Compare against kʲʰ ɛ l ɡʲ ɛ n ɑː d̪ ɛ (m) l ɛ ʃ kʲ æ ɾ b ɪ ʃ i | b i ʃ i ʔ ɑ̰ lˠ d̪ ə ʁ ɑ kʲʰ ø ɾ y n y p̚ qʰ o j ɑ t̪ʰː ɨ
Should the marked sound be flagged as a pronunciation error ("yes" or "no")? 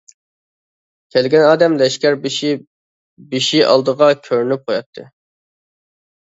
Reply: no